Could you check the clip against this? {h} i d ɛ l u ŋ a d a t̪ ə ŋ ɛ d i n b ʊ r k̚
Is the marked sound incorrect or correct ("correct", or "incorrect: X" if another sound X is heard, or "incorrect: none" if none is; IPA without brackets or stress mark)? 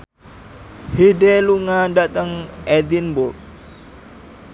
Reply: correct